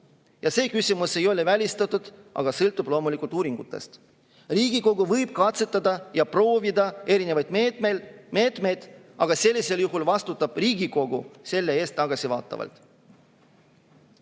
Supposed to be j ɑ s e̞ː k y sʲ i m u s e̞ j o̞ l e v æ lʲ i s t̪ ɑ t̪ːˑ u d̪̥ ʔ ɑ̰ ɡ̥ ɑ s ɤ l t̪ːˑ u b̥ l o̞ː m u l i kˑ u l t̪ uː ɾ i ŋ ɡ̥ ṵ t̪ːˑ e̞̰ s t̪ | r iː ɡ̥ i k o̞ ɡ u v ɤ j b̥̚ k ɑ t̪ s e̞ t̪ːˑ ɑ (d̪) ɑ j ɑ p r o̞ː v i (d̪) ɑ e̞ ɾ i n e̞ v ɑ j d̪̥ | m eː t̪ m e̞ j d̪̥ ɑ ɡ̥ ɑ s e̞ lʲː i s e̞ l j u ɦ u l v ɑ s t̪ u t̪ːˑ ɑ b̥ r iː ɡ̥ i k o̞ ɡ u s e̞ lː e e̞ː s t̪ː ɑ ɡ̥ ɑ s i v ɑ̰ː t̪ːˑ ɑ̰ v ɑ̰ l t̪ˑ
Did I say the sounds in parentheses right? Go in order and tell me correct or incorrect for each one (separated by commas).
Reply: correct, correct